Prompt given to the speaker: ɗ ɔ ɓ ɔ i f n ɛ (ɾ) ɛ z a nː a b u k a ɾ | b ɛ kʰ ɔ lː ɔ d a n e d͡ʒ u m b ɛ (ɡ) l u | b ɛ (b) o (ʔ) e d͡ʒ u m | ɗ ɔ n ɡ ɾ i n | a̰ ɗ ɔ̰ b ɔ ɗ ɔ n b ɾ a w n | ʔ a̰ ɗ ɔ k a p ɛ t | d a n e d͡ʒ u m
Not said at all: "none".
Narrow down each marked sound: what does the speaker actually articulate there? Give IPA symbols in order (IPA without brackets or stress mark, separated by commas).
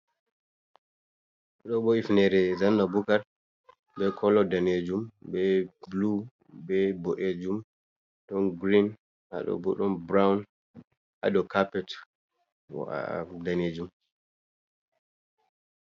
ɾ, b, b, ʔ